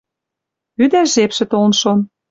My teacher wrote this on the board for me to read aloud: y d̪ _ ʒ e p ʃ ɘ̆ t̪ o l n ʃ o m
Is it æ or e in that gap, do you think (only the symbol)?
æ